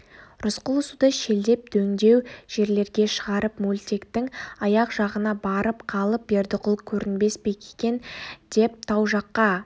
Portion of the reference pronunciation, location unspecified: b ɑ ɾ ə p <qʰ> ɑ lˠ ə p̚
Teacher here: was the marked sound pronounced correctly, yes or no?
yes